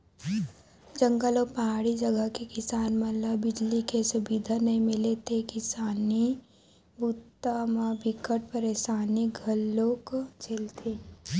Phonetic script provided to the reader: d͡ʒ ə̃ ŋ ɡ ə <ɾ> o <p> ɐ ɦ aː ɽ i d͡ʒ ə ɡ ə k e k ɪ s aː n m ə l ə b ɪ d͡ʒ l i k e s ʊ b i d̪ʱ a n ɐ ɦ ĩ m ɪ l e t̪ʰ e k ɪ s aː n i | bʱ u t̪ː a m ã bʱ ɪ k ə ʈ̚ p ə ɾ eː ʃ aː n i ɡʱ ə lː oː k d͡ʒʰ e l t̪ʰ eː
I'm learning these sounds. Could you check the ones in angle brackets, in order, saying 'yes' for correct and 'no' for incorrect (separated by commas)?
no, yes